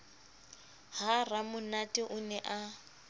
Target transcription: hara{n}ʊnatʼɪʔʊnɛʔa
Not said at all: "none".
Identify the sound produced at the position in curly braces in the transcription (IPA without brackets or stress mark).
m